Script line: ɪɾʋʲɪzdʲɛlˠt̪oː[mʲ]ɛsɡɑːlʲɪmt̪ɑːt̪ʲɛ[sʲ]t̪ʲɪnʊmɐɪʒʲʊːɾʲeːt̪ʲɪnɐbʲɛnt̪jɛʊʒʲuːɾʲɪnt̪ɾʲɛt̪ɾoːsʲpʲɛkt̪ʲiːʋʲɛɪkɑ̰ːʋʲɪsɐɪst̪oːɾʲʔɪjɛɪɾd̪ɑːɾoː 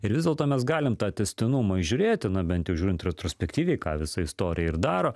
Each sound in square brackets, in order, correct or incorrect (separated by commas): correct, correct